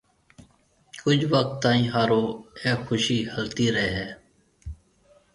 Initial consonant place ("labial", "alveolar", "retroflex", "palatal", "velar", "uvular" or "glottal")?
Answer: velar